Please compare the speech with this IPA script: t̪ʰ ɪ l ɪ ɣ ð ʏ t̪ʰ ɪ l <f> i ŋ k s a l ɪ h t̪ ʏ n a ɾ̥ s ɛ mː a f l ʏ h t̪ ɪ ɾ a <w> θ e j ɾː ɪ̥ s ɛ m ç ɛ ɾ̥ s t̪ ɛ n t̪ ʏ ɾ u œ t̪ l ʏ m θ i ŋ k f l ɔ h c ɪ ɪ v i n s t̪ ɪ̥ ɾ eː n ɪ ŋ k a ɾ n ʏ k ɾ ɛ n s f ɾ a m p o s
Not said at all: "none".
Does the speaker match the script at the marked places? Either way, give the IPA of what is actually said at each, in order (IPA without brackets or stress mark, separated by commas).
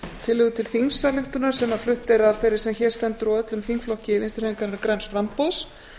θ, v